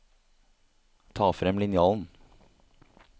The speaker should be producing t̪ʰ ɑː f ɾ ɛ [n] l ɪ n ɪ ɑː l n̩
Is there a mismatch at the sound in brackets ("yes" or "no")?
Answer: yes